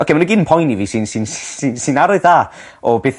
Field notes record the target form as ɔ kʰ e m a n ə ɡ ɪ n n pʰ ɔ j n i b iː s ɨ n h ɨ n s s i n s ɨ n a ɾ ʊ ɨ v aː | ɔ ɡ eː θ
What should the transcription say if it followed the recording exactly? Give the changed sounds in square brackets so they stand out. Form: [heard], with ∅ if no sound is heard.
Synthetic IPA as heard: ɔ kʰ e m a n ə ɡ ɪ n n pʰ ɔ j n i [v] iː s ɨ n [s] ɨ n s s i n s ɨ n a ɾ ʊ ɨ [ð] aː | ɔ [b] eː θ